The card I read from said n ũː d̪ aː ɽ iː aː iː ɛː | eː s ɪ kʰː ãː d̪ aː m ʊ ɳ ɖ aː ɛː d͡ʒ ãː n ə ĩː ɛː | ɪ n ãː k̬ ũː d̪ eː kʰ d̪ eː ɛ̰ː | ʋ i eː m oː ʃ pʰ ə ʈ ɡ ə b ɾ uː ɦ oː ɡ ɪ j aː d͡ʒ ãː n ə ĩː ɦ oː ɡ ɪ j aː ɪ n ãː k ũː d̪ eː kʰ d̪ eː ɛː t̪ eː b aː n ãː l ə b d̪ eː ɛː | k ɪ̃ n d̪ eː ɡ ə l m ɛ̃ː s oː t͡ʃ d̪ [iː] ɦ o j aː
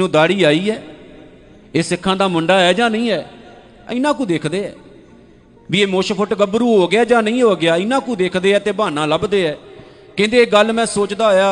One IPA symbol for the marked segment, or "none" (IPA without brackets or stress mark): aː